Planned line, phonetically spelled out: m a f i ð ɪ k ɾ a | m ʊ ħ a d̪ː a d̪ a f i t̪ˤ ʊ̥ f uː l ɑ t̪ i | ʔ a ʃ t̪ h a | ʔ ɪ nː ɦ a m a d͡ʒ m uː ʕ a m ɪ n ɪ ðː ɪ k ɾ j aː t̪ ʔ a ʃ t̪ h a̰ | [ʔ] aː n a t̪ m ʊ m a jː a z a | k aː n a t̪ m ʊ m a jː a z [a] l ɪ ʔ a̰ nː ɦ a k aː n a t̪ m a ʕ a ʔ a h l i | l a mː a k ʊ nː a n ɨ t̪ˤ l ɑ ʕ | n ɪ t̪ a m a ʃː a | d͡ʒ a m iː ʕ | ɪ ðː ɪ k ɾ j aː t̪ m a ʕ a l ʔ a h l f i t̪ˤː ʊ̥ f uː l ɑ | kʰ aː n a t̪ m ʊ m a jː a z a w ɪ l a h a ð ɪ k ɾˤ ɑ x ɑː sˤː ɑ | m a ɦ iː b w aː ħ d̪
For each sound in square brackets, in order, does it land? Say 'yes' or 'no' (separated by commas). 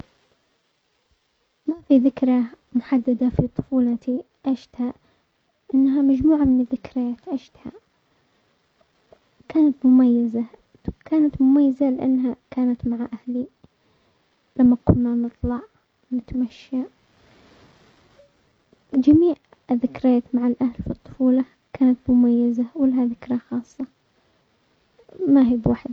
no, yes